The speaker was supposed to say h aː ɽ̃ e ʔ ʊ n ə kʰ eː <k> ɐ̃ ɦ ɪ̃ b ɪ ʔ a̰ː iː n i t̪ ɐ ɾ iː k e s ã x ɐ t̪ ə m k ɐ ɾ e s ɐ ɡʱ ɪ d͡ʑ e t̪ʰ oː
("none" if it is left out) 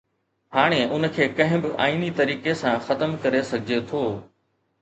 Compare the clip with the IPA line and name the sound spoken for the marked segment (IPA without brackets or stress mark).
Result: k